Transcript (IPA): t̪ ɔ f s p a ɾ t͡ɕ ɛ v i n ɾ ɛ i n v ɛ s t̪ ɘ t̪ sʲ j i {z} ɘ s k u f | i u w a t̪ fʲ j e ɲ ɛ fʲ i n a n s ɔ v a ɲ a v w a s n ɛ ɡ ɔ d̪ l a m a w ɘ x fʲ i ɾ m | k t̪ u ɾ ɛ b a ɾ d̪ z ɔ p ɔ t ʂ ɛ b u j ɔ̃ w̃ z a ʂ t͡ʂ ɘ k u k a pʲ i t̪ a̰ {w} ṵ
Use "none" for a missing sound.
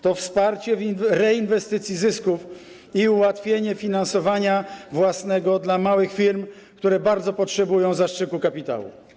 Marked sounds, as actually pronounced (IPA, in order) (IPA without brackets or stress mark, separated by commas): z, w